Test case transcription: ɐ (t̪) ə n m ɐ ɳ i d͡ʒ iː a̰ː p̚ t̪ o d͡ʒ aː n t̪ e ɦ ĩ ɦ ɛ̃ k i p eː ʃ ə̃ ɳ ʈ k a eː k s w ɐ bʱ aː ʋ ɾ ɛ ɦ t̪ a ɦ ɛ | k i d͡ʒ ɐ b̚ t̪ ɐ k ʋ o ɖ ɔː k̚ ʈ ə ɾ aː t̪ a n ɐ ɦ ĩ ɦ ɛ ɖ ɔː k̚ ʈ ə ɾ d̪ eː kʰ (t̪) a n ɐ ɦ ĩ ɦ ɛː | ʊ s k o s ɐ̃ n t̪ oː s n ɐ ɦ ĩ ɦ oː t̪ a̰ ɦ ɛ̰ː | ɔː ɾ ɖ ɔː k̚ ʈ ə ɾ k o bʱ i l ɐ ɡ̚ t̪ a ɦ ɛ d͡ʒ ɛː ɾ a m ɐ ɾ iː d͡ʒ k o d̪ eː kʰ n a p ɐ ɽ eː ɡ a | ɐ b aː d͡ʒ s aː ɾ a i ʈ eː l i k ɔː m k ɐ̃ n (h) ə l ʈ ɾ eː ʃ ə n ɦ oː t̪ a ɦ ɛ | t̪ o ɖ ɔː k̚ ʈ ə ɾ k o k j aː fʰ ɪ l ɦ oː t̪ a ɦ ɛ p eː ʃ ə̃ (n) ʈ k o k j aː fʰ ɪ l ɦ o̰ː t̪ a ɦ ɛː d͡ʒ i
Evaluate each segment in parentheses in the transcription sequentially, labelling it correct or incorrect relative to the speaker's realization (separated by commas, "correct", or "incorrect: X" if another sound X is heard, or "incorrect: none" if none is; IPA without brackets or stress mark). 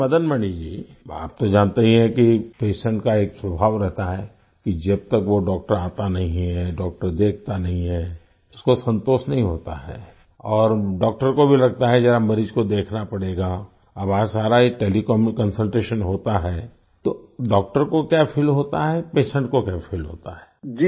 incorrect: d̪, correct, incorrect: s, incorrect: ɳ